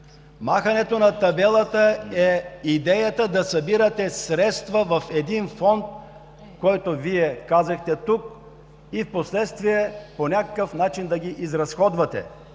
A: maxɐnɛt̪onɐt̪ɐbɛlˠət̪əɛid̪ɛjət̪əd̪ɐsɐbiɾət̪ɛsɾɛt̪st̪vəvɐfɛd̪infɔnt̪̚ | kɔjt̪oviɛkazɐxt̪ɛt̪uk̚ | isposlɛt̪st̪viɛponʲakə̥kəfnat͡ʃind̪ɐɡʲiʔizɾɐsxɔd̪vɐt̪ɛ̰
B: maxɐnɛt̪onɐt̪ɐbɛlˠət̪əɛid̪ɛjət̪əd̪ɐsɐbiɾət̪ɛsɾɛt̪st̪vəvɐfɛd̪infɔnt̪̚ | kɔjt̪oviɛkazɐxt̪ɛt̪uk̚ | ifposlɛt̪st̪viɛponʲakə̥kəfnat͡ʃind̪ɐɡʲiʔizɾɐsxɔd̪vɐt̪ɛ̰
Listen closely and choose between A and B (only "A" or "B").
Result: B